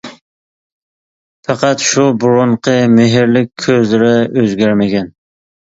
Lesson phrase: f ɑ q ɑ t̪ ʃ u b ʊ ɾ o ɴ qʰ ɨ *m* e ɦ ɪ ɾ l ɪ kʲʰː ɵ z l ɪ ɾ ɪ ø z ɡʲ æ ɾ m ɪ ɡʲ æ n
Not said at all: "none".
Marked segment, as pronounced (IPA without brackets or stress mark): m